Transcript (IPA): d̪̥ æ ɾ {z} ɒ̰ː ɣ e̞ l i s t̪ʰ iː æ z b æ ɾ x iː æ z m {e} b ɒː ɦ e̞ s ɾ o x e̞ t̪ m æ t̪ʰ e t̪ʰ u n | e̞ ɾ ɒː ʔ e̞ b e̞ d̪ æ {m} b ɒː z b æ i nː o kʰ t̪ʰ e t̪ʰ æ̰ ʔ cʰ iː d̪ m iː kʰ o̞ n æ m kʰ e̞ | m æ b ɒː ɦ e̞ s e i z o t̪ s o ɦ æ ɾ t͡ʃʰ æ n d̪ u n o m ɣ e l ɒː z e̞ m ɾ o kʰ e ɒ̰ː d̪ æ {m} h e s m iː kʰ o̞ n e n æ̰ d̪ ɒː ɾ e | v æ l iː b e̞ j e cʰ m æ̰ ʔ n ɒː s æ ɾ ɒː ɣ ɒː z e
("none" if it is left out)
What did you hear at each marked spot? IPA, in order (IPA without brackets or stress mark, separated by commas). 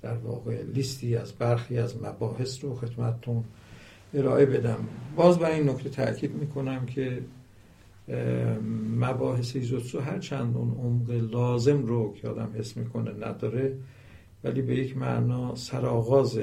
v, æ, m, m